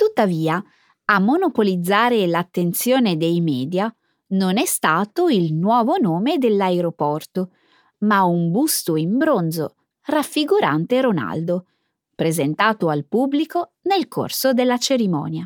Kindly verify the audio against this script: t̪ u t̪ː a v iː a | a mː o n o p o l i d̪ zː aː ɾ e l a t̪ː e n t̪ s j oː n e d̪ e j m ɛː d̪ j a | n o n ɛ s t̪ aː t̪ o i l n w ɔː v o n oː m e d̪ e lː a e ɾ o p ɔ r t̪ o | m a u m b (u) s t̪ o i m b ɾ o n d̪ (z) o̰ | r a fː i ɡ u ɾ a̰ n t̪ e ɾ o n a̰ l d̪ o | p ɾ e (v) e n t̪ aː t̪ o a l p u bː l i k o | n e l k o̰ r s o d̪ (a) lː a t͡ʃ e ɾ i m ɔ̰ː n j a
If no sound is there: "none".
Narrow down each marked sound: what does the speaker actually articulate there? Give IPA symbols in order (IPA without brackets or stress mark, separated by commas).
u, z, z, e